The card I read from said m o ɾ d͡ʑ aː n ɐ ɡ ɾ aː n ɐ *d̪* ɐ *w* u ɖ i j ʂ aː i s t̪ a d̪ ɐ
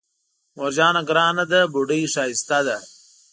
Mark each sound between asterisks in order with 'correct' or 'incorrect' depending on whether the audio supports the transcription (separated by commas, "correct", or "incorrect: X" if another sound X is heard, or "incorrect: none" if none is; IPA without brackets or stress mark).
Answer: correct, incorrect: b